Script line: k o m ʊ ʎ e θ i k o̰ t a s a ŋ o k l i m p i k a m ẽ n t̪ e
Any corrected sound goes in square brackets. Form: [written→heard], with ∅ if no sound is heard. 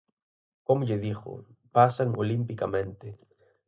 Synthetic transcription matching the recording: k o m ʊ ʎ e [θ→ð] i [k→x] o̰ [t→p] a s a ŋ o [k→∅] l i m p i k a m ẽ n t̪ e